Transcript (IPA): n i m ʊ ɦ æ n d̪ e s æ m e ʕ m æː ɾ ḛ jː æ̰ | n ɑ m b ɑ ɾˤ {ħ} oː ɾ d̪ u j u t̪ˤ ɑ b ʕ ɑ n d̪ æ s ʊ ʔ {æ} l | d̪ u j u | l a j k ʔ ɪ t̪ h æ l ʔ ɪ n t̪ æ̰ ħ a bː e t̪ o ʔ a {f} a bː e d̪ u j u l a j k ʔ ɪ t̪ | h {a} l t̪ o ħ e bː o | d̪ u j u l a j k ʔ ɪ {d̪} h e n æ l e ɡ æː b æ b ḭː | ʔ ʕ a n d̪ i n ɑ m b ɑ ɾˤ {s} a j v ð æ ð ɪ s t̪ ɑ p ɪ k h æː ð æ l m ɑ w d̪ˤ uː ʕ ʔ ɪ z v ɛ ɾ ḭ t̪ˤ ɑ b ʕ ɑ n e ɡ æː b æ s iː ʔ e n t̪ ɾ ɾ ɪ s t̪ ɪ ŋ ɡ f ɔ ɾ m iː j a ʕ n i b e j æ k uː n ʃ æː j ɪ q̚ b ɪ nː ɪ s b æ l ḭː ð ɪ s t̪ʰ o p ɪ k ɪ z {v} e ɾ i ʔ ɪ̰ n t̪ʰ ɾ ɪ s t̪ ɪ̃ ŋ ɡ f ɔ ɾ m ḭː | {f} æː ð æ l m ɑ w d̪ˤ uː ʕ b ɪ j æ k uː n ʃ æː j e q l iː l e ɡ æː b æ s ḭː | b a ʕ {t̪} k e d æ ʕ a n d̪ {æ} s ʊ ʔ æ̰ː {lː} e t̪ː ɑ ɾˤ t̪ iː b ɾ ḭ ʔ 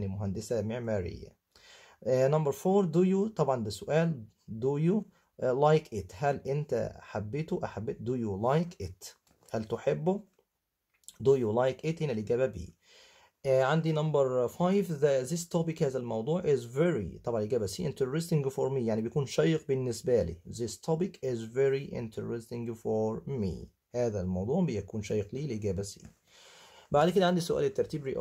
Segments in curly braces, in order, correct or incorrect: incorrect: f, incorrect: æː, incorrect: ħ, incorrect: æ, incorrect: t̪, incorrect: f, correct, incorrect: h, incorrect: d̪, incorrect: i, incorrect: l

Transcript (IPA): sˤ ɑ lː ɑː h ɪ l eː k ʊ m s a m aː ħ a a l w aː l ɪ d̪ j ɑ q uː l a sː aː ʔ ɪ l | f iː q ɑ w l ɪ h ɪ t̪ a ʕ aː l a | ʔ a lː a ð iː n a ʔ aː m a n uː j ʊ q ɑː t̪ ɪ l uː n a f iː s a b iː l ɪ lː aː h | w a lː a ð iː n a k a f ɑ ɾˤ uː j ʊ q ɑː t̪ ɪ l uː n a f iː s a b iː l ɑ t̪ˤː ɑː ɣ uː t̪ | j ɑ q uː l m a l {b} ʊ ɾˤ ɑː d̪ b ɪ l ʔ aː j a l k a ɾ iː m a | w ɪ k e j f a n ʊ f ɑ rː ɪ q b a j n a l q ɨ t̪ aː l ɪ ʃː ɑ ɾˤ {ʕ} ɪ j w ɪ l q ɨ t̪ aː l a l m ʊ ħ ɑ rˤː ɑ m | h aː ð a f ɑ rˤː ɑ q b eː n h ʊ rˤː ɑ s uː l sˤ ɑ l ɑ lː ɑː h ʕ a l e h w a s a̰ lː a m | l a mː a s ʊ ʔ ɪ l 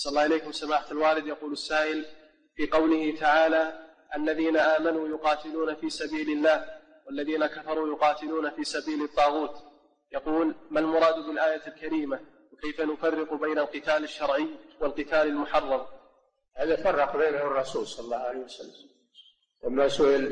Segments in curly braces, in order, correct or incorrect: incorrect: m, correct

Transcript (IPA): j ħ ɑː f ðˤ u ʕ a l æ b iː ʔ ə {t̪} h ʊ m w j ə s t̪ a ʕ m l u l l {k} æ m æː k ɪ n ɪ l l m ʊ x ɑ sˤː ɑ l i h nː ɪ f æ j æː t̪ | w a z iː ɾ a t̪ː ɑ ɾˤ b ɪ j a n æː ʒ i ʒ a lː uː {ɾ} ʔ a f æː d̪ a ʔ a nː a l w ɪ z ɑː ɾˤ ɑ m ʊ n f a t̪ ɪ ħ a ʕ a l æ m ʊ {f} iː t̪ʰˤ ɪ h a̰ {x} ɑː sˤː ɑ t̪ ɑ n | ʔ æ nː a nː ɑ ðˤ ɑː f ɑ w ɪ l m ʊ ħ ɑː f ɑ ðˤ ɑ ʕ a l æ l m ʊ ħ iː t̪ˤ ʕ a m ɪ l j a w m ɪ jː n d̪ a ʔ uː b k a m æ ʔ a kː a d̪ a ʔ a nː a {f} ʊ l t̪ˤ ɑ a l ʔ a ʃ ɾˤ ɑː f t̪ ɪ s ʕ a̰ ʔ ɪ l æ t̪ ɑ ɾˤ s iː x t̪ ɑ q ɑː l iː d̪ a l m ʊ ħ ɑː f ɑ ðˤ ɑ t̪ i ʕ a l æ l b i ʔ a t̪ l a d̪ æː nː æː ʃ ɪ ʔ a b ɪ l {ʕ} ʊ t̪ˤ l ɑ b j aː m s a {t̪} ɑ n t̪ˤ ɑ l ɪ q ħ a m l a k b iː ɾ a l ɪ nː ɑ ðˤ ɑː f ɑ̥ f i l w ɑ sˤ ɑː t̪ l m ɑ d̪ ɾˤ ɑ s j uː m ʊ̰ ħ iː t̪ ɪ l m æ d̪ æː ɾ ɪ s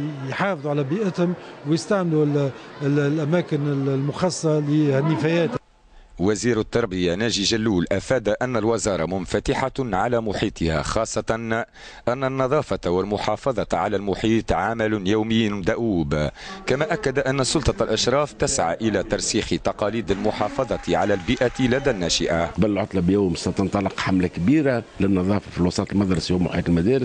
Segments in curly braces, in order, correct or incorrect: correct, incorrect: ʔ, incorrect: l, incorrect: ħ, correct, incorrect: s, correct, correct

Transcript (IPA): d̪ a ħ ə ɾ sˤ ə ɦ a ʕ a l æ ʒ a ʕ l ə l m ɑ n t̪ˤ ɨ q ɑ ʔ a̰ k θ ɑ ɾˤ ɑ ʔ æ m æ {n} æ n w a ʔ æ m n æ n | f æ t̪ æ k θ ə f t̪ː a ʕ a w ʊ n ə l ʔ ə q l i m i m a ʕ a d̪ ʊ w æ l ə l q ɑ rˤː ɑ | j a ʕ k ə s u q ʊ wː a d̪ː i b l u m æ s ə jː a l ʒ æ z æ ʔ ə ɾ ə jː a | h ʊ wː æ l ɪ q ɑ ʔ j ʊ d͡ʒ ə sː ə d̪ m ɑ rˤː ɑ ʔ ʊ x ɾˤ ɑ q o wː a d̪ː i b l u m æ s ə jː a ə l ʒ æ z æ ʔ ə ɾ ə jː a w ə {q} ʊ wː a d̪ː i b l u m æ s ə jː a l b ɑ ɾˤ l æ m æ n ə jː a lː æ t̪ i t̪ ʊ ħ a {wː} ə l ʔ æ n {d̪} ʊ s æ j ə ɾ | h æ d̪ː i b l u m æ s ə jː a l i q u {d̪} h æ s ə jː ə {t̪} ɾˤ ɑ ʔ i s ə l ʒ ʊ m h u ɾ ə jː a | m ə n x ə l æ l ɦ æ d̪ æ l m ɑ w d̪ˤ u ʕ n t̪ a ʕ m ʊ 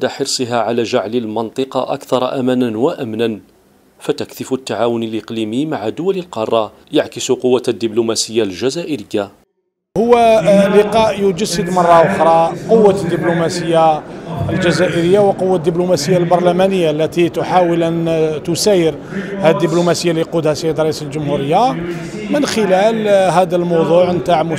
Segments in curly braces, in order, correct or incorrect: correct, correct, incorrect: w, incorrect: t̪, correct, incorrect: d̪

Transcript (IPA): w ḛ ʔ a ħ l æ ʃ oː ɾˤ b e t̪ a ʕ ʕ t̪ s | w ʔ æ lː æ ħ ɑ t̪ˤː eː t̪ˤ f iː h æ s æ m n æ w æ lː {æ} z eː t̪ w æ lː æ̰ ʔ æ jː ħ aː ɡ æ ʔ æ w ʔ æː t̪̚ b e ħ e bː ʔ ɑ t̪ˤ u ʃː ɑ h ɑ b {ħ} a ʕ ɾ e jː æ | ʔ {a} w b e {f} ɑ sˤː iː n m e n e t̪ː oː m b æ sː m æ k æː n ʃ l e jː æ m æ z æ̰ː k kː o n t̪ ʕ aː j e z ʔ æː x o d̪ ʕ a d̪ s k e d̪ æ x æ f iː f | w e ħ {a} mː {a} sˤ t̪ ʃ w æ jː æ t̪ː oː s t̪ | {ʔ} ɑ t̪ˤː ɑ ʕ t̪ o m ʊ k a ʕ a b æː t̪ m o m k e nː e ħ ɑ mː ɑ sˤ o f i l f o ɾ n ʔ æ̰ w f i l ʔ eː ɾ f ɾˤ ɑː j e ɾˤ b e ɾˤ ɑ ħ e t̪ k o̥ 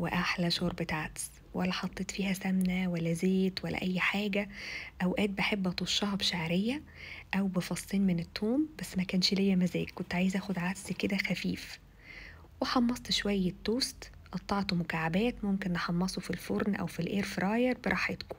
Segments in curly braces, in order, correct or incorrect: correct, incorrect: ʃ, incorrect: æ, correct, incorrect: ɑ, incorrect: ɑ, correct

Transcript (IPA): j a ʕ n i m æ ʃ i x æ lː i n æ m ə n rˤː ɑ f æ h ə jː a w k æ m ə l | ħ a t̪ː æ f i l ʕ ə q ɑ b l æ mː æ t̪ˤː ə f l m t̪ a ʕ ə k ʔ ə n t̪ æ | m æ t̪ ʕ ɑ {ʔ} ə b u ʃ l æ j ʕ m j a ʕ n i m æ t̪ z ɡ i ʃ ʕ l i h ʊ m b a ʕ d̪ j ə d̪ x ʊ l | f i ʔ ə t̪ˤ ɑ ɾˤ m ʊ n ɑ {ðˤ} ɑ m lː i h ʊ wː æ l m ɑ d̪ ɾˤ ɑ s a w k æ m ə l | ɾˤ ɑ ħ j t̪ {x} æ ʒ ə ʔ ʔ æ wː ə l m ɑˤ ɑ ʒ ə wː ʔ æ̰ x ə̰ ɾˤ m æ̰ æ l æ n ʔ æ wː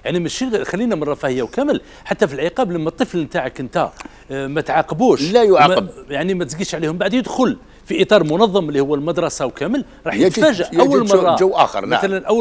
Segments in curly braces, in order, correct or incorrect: incorrect: q, incorrect: ðˤː, incorrect: f

